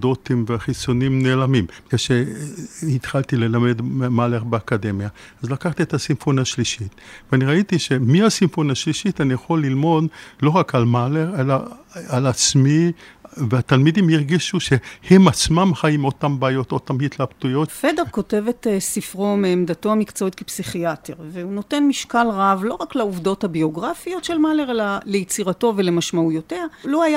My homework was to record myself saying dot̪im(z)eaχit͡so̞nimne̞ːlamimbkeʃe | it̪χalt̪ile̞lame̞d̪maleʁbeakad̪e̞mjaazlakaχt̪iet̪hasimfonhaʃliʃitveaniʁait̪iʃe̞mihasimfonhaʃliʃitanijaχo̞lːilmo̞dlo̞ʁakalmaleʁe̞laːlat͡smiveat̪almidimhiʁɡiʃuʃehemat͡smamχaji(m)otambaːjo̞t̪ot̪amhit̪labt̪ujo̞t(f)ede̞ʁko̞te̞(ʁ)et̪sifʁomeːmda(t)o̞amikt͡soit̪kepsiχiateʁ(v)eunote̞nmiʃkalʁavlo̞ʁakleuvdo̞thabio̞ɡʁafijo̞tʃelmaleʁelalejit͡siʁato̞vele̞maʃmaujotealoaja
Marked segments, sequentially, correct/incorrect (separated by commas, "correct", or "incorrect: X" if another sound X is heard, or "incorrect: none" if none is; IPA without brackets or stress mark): incorrect: v, correct, correct, incorrect: v, correct, correct